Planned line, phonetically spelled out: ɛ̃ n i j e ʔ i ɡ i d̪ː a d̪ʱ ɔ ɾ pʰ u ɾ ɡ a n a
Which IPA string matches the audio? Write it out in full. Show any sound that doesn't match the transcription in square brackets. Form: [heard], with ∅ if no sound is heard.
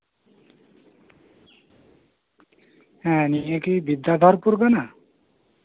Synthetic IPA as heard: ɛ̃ n i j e [k] i [b] i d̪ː a d̪ʱ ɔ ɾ [p] u ɾ ɡ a n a